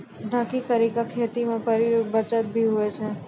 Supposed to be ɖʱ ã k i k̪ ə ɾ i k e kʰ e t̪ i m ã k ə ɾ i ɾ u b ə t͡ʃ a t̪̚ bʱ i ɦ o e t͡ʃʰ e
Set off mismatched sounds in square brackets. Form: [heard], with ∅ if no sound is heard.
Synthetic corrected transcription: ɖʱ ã k i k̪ ə ɾ i k [a] kʰ e t̪ i m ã [p] ə ɾ i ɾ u b ə t͡ʃ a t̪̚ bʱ i ɦ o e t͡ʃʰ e